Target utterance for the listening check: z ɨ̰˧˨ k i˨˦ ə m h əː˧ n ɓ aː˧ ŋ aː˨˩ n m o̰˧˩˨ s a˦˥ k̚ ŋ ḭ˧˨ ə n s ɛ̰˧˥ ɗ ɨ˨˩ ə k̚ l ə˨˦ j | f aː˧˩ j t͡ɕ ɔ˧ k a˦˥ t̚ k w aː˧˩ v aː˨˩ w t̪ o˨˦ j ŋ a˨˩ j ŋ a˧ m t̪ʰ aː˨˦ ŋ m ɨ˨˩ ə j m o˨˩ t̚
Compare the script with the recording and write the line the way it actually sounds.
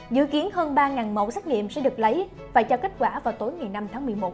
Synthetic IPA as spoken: z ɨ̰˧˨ k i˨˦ ə n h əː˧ n ɓ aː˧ ŋ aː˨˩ n m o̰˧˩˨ s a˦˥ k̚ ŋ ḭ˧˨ ə m s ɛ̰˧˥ ɗ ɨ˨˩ ə k̚ l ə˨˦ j | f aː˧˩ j t͡ɕ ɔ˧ k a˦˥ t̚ k w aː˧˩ v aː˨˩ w t̪ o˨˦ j ŋ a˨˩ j n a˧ m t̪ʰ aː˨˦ ŋ m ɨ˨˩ ə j m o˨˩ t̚

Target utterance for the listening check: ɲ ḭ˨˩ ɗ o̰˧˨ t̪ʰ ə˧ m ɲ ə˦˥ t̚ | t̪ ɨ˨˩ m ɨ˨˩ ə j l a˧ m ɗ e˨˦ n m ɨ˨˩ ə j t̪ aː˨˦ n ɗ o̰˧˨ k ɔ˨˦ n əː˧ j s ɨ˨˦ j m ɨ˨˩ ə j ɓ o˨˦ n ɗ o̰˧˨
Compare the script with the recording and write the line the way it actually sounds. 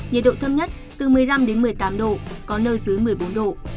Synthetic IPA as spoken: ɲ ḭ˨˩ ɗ o̰˧˨ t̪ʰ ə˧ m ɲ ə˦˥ t̚ | t̪ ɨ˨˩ m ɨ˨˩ ə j l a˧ m ɗ e˨˦ n m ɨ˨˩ ə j t̪ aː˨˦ m ɗ o̰˧˨ k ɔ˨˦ n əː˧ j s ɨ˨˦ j m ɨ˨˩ ə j ɓ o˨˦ n ɗ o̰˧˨

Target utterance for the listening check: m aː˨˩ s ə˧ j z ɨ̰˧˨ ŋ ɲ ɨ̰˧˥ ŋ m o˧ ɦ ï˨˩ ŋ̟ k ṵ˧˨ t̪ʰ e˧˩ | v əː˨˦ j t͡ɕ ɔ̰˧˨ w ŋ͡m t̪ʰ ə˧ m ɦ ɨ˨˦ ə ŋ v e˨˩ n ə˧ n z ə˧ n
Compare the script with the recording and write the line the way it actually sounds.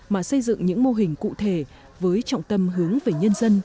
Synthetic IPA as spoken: m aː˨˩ s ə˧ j z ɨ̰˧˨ ŋ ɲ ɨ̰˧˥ ŋ m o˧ ɦ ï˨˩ ŋ̟ k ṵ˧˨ t̪ʰ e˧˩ | v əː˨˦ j t͡ɕ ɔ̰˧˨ w ŋ͡m t̪ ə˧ m ɦ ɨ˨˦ ə ŋ v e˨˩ ɲ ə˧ n z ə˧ n

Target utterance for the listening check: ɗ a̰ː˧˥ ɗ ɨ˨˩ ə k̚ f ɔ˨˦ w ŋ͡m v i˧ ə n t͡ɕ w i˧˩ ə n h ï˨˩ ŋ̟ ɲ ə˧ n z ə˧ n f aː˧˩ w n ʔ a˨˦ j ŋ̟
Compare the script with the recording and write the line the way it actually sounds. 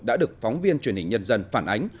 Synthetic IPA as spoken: ɗ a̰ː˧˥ ɗ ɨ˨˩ ə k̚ f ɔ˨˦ w ŋ͡m v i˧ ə n t͡ɕ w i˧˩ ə n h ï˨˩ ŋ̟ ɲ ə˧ n z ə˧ n f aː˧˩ n ʔ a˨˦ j ŋ̟

